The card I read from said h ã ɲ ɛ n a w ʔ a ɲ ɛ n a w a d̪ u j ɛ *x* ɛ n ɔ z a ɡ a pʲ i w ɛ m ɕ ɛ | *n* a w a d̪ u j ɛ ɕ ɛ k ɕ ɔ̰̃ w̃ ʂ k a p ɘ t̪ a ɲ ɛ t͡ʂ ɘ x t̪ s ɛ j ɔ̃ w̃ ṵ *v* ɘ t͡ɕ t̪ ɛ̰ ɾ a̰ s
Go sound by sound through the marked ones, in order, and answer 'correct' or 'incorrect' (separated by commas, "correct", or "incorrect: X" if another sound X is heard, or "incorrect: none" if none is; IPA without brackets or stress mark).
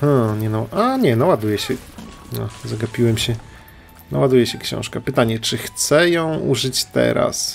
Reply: incorrect: ɕ, correct, incorrect: ʐ